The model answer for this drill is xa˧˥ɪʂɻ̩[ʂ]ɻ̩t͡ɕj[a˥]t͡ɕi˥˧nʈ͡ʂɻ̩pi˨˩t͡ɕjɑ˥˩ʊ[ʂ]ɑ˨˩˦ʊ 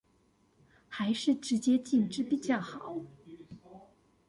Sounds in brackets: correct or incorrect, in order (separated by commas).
incorrect, incorrect, incorrect